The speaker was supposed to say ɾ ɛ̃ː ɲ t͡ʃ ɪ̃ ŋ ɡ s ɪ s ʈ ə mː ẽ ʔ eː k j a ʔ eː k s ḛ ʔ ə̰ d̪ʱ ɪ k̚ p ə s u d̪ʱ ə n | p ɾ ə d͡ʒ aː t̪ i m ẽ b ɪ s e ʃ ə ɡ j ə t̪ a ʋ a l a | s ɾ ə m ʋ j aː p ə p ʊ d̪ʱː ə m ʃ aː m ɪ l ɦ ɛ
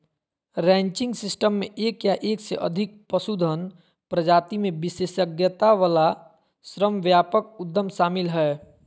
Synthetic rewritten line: ɾ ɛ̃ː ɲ t͡ʃ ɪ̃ ŋ ɡ s ɪ s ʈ ə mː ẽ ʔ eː k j a ʔ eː k s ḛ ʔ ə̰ d̪ʱ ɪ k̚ p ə s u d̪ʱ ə n | p ɾ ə d͡ʒ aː t̪ i m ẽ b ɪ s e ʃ ə ɡ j ə t̪ a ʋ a l a | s ɾ ə m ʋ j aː p ə k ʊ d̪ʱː ə m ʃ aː m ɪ l ɦ ɛ